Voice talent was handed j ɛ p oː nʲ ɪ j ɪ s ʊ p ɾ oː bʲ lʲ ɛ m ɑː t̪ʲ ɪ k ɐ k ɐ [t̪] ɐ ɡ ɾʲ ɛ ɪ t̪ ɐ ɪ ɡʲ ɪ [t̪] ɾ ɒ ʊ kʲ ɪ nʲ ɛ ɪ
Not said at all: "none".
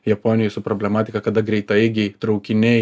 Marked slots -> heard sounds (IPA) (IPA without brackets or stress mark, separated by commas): d̪, t̪